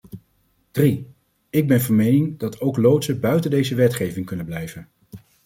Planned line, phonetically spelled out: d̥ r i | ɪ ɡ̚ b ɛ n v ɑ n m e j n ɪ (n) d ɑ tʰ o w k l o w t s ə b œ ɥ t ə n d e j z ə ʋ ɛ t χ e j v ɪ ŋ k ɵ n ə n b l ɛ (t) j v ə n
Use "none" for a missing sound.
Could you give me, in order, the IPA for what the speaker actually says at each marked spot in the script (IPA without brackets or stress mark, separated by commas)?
ŋ, none